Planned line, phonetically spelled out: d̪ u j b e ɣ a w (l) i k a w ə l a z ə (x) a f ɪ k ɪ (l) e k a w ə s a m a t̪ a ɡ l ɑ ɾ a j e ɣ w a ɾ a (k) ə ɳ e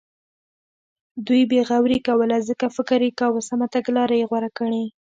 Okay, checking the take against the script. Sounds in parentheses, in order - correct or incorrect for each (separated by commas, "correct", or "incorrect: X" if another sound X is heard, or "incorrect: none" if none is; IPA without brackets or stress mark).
incorrect: ɾ, incorrect: k, incorrect: ɾ, correct